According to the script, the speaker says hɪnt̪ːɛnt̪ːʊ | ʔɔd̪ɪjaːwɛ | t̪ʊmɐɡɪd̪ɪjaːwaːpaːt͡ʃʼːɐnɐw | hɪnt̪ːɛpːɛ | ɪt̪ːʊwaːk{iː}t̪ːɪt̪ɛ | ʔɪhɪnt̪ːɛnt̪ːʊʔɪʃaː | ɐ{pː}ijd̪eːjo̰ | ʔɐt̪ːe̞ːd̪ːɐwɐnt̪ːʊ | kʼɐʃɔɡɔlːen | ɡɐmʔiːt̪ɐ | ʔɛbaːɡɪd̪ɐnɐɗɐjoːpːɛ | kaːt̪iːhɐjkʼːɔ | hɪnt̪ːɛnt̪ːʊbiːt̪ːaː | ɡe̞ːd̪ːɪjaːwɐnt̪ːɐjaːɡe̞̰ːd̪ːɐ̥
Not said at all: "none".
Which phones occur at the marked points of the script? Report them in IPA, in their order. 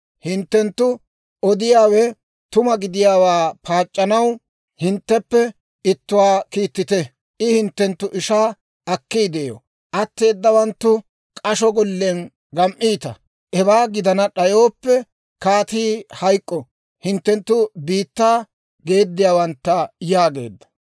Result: iː, kː

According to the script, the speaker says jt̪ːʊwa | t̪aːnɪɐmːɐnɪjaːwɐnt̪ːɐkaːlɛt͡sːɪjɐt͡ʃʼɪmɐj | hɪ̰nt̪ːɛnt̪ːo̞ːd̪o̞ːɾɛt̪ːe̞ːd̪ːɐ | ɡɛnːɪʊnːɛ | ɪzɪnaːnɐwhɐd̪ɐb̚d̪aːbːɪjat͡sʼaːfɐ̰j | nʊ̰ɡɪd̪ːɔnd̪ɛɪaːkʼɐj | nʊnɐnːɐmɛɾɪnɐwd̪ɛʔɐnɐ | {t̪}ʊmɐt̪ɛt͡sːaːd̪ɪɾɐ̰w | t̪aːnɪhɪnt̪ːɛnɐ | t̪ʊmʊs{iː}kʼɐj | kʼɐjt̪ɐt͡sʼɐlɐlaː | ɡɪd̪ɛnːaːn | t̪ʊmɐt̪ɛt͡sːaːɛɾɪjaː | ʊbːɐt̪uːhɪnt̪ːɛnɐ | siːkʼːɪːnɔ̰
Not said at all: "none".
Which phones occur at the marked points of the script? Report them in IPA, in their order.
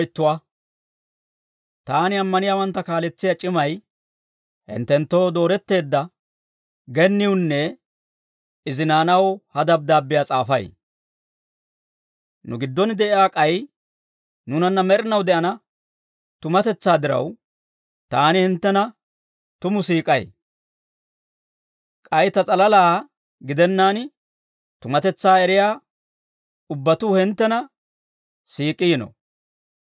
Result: t̪, iː

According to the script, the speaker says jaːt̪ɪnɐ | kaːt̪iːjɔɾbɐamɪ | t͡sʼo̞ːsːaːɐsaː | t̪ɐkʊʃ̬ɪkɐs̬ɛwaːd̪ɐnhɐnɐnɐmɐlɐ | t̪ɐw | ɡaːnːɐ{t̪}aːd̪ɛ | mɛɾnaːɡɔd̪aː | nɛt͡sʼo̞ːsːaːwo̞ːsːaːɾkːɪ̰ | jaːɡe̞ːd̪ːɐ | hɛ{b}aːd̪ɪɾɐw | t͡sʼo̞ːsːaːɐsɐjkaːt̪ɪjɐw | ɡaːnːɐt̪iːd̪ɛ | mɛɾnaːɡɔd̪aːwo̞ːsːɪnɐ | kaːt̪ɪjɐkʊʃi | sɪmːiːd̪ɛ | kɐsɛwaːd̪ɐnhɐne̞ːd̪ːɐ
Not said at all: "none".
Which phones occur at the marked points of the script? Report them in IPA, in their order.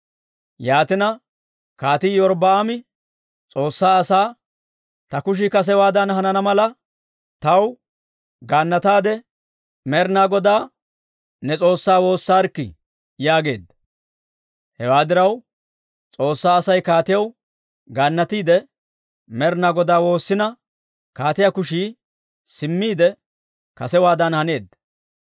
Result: t̪, w

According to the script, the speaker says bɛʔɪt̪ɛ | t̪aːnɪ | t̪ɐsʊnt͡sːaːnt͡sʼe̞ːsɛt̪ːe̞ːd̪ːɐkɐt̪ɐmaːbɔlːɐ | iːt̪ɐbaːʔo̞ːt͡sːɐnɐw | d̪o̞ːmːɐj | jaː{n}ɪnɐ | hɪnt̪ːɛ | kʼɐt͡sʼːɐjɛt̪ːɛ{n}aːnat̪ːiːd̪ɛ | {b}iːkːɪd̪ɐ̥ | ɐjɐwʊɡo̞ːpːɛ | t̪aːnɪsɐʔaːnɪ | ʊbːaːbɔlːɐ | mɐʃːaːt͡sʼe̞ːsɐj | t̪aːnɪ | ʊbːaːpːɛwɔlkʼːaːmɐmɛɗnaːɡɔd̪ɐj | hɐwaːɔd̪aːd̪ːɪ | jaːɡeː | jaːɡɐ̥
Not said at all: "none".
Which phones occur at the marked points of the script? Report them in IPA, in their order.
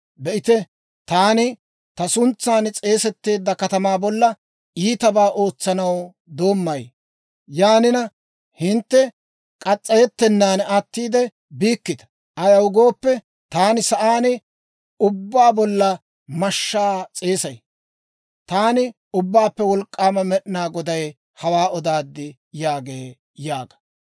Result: n, nː, b

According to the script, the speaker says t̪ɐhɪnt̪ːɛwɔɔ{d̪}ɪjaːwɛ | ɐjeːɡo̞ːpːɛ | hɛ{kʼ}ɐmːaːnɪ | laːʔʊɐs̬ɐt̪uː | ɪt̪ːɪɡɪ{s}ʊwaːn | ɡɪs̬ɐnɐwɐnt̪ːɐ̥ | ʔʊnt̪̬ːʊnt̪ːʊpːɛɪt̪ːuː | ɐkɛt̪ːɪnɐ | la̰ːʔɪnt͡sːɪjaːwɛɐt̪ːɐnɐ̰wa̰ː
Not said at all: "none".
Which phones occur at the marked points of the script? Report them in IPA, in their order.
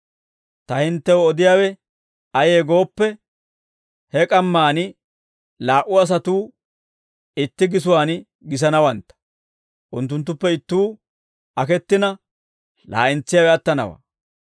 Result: d̪, kʼ, s

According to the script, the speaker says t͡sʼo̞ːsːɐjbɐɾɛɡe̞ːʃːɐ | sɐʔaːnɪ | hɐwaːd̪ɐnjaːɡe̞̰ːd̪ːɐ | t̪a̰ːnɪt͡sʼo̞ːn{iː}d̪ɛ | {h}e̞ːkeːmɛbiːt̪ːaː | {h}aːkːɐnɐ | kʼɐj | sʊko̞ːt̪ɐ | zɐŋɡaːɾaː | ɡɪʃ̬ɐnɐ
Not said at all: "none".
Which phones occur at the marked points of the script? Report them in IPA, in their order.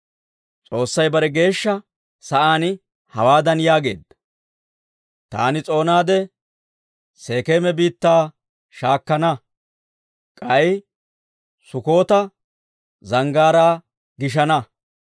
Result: aː, s, ʃ

